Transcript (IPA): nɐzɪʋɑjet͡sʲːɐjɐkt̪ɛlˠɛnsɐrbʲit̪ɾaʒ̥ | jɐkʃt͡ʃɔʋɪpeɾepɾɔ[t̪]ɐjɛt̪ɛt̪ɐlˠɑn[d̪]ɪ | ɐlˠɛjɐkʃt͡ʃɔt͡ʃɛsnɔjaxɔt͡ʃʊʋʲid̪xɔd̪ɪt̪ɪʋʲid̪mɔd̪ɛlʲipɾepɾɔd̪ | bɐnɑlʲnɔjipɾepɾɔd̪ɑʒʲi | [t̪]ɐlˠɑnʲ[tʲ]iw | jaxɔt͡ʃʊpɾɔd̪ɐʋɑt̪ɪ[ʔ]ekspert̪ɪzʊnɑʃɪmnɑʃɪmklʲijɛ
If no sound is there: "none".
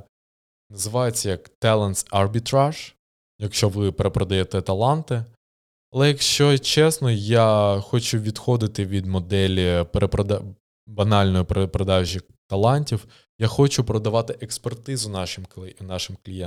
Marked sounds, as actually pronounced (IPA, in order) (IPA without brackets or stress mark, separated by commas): d̪, t̪, t̪, tʲ, ʔ